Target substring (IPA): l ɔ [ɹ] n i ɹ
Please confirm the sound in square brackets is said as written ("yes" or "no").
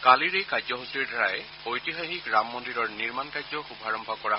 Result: yes